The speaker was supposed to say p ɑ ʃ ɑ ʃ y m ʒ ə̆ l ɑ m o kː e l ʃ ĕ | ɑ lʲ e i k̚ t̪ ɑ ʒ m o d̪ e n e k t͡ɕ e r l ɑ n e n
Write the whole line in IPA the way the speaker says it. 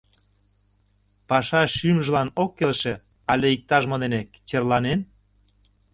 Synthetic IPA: p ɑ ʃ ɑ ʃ y m ʒ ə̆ l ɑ n o kː e l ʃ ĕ | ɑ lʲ e i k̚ t̪ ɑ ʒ m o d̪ e n e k t͡ɕ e r l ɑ n e n